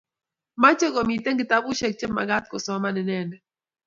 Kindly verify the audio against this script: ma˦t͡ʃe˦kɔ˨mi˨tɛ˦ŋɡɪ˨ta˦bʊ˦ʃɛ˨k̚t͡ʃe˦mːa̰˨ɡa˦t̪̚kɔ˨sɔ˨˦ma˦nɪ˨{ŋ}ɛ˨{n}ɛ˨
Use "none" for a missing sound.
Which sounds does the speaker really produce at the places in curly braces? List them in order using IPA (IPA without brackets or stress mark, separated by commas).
n, n